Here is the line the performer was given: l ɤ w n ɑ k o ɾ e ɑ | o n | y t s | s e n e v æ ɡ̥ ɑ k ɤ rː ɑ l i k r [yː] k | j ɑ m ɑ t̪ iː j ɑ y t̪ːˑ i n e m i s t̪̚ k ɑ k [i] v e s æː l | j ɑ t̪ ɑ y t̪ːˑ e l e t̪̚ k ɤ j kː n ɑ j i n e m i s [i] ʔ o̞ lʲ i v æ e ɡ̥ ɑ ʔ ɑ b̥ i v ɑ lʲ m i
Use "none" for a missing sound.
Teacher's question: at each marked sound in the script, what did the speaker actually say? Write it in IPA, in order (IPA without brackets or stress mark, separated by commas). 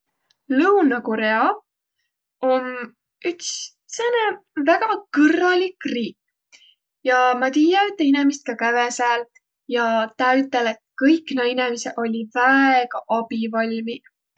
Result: iː, æ, e